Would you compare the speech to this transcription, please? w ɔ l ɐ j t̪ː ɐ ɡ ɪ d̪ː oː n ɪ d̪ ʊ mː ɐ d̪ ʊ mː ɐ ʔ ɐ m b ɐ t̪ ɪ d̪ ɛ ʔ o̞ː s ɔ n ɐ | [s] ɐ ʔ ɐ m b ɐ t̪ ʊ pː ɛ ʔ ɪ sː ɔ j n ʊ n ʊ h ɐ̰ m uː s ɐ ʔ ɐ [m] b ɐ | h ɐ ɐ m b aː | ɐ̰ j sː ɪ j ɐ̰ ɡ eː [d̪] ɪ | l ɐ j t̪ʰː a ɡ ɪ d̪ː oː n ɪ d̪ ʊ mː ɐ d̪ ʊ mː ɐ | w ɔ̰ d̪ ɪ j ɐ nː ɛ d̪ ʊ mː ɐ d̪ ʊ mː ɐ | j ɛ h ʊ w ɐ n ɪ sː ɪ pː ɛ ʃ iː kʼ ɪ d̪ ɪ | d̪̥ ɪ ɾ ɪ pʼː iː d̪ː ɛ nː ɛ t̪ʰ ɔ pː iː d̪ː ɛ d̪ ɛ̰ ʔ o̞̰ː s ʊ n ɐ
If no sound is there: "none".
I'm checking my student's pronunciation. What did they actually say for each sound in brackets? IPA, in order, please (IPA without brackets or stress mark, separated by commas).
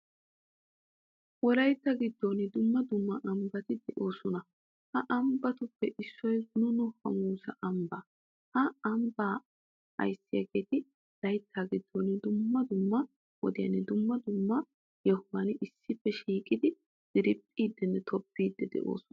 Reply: h, m, t̪